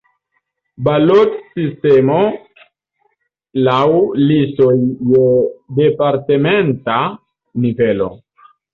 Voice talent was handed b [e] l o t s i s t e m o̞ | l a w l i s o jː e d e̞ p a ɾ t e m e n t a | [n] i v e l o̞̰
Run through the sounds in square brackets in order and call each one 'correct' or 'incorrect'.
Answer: incorrect: a, correct

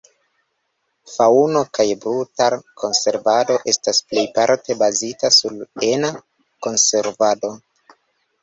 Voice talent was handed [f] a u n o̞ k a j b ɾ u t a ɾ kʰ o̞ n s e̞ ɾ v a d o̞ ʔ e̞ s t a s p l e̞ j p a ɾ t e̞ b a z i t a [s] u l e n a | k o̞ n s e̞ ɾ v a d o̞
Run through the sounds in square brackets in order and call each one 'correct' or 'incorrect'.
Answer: correct, correct

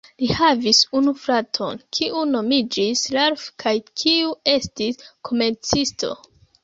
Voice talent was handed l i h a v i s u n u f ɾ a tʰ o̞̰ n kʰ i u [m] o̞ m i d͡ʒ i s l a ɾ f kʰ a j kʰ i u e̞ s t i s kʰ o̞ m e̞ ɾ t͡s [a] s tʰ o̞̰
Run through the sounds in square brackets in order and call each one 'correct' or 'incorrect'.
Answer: incorrect: n, incorrect: i

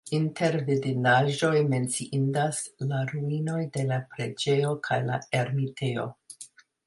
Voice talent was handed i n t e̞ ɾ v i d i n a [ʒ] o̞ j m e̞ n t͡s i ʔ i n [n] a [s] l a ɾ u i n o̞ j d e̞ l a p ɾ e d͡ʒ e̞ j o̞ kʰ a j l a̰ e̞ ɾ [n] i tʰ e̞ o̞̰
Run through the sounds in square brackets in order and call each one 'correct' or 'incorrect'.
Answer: correct, incorrect: d, correct, incorrect: m

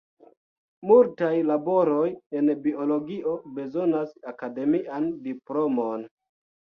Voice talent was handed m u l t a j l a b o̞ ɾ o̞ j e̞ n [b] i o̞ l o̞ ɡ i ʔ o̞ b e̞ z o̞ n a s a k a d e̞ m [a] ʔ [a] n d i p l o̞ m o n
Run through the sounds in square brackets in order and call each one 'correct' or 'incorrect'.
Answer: correct, incorrect: i, correct

